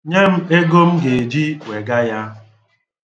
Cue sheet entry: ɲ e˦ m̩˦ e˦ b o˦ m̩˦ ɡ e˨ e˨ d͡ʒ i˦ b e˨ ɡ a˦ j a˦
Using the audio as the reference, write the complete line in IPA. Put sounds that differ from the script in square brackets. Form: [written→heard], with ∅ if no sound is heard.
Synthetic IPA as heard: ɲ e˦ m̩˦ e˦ [b→ɡ] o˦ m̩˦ ɡ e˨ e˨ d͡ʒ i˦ [b→w] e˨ ɡ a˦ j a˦